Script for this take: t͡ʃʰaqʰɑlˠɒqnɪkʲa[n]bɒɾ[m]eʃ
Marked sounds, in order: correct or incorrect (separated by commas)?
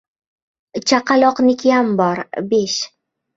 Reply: incorrect, incorrect